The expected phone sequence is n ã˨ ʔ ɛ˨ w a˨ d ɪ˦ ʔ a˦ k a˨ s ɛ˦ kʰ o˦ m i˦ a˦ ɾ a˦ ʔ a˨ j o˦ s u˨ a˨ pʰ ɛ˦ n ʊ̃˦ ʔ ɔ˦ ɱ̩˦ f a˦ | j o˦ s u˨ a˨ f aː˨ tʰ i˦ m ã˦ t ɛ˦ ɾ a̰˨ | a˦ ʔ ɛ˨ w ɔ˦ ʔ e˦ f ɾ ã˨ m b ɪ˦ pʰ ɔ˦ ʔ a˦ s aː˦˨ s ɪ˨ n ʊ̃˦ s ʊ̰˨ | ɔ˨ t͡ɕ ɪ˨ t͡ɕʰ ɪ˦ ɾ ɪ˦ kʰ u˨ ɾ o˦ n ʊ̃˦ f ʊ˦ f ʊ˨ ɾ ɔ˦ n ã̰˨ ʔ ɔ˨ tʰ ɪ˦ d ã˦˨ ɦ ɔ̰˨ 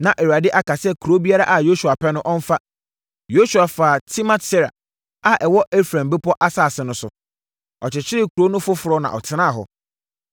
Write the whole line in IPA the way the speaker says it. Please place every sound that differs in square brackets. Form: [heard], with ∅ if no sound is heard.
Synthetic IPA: n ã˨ ʔ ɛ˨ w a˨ d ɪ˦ ʔ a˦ k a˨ s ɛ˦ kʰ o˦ [b] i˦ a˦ ɾ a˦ ʔ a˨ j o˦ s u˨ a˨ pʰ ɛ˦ n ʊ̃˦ ʔ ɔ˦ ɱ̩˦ f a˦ | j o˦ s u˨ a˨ f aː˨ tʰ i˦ m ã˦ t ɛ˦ ɾ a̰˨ | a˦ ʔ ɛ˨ w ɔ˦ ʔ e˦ f ɾ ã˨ m b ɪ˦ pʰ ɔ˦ ʔ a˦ s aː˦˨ s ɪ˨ n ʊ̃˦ s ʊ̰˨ | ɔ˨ t͡ɕ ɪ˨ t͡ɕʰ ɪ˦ ɾ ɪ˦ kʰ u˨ ɾ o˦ n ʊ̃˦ f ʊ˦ f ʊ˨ ɾ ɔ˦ n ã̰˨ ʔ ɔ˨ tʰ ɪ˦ [n] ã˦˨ ɦ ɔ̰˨